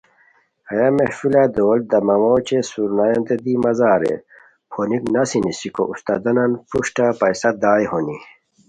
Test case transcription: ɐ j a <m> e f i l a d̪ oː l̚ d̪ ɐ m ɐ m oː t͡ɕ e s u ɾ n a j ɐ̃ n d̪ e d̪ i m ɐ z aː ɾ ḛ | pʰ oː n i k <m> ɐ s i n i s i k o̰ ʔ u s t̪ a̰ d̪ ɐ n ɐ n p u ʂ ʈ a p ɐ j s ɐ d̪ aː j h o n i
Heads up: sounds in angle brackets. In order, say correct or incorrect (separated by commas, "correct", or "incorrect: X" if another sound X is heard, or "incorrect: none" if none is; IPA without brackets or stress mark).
correct, incorrect: n